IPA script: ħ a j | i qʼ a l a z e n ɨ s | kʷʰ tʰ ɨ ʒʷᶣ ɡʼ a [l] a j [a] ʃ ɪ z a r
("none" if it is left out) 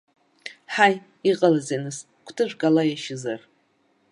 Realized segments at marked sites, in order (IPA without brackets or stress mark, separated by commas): l, a